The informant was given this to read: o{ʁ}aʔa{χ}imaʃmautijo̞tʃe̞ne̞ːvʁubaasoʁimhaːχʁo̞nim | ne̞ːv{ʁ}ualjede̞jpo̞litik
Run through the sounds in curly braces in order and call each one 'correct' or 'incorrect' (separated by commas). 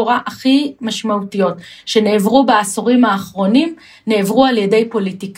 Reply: correct, correct, correct